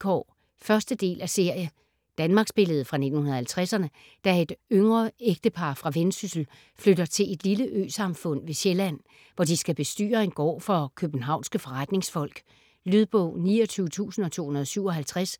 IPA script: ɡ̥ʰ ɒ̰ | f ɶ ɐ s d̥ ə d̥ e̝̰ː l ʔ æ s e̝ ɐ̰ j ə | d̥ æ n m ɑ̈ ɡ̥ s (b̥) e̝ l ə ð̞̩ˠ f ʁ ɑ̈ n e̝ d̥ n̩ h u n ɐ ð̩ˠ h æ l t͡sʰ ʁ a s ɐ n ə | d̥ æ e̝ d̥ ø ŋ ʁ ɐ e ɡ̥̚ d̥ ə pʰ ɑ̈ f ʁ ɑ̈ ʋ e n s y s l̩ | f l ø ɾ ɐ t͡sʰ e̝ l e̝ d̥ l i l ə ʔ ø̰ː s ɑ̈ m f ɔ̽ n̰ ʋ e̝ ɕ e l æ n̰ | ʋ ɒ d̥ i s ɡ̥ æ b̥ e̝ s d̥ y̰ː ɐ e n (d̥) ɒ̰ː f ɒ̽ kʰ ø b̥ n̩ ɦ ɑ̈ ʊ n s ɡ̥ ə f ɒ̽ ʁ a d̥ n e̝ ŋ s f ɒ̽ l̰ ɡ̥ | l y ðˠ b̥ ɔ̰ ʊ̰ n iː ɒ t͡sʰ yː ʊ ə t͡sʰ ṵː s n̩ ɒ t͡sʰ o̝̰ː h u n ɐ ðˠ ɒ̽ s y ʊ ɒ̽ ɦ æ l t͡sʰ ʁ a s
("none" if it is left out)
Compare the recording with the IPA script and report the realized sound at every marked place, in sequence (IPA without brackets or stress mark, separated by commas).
b̥, ɡ̥